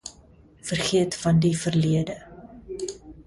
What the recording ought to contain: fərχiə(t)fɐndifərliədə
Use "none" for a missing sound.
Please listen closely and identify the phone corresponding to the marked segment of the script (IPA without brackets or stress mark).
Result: t